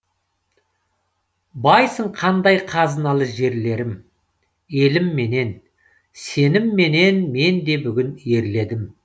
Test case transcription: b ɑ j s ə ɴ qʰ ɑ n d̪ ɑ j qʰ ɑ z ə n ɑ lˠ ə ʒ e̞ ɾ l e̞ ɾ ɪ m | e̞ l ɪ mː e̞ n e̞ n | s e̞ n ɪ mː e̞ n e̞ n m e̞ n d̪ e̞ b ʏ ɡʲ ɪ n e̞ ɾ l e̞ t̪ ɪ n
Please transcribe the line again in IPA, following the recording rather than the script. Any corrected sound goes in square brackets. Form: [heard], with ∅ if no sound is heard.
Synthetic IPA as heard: b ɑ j s ə ɴ qʰ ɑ n d̪ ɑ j qʰ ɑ z ə n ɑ lˠ ə ʒ e̞ ɾ l e̞ ɾ ɪ m | e̞ l ɪ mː e̞ n e̞ n | s e̞ n ɪ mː e̞ n e̞ n m e̞ n d̪ e̞ b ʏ ɡʲ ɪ n e̞ ɾ l e̞ [d̪] ɪ [m]

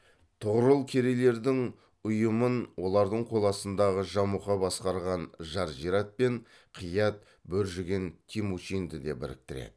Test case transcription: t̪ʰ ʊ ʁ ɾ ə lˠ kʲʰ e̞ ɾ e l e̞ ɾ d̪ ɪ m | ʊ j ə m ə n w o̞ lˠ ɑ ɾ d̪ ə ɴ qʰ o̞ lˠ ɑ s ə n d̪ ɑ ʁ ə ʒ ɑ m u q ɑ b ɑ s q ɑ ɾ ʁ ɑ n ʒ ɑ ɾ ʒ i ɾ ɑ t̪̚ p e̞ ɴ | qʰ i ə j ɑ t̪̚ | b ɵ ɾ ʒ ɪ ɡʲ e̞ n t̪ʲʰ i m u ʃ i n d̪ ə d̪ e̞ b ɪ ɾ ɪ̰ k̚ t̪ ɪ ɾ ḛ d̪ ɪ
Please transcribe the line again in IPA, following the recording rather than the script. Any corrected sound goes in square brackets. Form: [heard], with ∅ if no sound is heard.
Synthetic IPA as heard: t̪ʰ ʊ ʁ ɾ ə lˠ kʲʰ e̞ ɾ e l e̞ ɾ d̪ ɪ [ŋ] | ʊ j ə m ə n w o̞ lˠ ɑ ɾ d̪ ə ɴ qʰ o̞ lˠ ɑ s ə n d̪ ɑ ʁ ə ʒ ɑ m u q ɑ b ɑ s q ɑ ɾ ʁ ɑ n ʒ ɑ ɾ ʒ i ɾ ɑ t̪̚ p e̞ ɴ | qʰ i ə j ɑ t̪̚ | b ɵ ɾ ʒ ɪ ɡʲ e̞ n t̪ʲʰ i m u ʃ i n d̪ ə d̪ e̞ b ɪ ɾ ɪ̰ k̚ t̪ ɪ ɾ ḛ d̪ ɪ

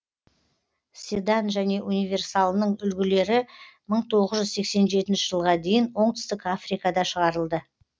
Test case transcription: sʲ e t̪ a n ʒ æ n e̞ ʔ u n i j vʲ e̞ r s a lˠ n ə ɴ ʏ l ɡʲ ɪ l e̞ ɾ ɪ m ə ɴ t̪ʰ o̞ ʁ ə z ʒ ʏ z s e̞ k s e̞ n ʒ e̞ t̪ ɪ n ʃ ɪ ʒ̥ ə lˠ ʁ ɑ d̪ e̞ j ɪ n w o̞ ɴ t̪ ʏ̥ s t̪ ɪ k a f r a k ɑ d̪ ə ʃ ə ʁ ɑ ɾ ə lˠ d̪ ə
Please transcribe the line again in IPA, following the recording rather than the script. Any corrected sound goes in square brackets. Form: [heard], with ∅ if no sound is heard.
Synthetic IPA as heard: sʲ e [d̪] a n ʒ æ n e̞ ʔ u n i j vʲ e̞ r s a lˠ n ə ɴ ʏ l ɡʲ ɪ l e̞ ɾ ɪ m ə ɴ t̪ʰ o̞ ʁ ə z ʒ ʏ z s e̞ k s e̞ n ʒ e̞ t̪ ɪ n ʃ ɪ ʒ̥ ə lˠ ʁ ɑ d̪ e̞ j ɪ n w o̞ ɴ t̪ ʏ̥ s t̪ ɪ k a f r [i] k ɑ d̪ [ɑ] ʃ ə ʁ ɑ ɾ ə lˠ d̪ ə

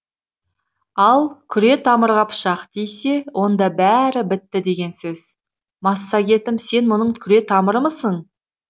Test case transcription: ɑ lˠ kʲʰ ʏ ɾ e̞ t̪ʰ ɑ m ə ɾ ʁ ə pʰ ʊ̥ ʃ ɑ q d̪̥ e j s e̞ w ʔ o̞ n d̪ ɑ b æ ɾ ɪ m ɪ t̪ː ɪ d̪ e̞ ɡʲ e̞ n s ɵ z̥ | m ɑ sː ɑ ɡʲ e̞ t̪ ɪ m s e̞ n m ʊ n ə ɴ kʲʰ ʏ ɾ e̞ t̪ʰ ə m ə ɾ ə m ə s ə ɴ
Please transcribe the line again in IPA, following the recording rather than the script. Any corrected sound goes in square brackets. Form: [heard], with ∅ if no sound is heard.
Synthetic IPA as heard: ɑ lˠ kʲʰ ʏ ɾ e̞ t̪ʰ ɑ m ə ɾ ʁ [ɑ] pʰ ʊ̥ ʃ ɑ q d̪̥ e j s e̞ w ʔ o̞ n d̪ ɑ b æ ɾ ɪ [b] ɪ t̪ː ɪ d̪ e̞ ɡʲ e̞ n s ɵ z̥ | m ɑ sː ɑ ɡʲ e̞ t̪ ɪ m s e̞ n m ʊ n ə ɴ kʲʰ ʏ ɾ e̞ t̪ʰ [ɑ] m ə ɾ ə m ə s ə ɴ

